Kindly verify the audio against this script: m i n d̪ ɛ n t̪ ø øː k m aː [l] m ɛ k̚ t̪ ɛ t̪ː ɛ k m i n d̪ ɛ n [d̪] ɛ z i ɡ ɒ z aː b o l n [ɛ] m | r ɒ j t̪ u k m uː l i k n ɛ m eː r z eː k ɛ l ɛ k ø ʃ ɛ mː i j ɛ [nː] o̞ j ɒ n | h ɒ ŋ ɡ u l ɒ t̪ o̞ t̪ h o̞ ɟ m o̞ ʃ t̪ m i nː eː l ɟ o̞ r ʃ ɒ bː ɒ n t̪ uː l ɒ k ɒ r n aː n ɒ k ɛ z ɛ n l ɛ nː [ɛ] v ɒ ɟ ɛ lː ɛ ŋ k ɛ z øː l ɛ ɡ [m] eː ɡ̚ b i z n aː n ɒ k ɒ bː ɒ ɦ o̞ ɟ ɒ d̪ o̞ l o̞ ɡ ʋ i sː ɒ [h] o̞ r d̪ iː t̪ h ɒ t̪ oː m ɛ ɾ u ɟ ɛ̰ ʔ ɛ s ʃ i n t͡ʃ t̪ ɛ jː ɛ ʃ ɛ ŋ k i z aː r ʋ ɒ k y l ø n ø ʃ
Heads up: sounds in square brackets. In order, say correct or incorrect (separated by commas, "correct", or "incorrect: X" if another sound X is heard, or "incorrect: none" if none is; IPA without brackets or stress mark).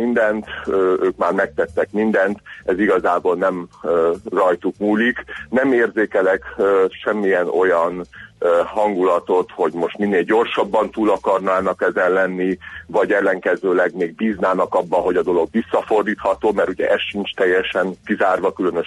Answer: incorrect: r, incorrect: t̪, correct, incorrect: n, incorrect: i, correct, incorrect: f